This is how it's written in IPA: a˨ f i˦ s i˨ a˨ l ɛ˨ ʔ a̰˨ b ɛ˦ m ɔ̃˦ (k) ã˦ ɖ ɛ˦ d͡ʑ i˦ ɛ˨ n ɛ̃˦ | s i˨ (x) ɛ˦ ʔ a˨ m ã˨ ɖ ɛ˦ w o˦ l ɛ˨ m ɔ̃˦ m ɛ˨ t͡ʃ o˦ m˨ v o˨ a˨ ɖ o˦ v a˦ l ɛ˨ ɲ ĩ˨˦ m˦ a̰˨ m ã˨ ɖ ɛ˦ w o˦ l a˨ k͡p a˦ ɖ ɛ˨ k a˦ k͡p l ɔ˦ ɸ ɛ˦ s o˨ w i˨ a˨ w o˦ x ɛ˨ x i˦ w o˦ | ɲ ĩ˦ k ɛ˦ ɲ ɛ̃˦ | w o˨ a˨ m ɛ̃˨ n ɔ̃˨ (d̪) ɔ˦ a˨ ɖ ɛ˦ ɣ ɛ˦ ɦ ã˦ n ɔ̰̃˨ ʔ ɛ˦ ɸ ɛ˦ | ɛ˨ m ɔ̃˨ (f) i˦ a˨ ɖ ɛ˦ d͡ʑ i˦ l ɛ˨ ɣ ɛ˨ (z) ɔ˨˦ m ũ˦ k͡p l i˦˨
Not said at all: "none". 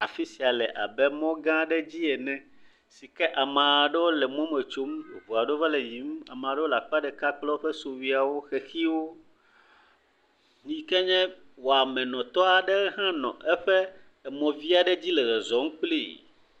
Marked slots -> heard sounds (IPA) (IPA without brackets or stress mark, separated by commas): ɡ, k, t̪, v, z